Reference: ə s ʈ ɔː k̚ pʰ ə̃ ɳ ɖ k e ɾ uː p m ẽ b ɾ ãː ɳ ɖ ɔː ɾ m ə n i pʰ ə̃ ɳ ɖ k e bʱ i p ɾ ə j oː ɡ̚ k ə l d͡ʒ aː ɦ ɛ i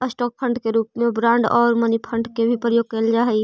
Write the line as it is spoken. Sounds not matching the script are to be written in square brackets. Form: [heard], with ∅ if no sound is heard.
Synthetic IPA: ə s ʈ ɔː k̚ pʰ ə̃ ɳ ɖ k e ɾ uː p m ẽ b ɾ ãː ɳ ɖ ɔː ɾ m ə n i pʰ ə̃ ɳ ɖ k e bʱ i p ɾ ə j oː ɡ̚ k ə l d͡ʒ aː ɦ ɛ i